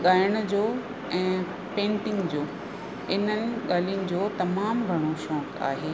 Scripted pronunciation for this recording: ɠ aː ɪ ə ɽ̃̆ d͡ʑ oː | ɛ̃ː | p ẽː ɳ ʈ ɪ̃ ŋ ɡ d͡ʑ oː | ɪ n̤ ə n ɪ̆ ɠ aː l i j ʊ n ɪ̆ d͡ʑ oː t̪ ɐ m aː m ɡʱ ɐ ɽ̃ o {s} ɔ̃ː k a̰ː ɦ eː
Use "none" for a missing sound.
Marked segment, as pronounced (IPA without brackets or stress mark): ʃ